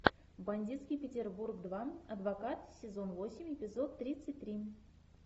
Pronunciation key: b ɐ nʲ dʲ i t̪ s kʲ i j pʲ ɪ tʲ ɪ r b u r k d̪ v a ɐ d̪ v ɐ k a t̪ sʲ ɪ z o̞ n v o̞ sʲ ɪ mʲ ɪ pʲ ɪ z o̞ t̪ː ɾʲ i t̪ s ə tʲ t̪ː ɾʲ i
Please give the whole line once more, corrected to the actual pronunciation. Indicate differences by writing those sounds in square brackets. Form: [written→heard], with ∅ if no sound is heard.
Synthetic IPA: b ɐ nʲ dʲ i t̪ s kʲ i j pʲ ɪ tʲ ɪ r b u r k d̪ v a ɐ d̪ v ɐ k a t̪ sʲ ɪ z o̞ n v o̞ sʲ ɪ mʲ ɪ pʲ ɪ z o̞ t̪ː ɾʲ i t̪ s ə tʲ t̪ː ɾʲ i